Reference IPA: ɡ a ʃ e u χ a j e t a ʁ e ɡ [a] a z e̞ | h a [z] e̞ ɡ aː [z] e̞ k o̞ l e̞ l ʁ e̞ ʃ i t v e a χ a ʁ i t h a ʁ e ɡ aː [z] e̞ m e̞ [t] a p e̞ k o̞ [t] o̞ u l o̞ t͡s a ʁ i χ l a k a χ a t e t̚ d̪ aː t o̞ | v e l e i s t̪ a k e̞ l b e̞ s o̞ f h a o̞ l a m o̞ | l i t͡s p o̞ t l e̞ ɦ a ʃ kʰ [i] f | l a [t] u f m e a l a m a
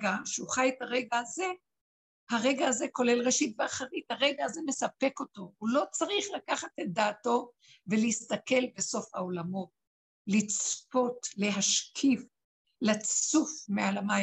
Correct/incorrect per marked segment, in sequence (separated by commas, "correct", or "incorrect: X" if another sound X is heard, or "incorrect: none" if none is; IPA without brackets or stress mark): correct, incorrect: ʁ, correct, correct, incorrect: s, correct, correct, incorrect: t͡s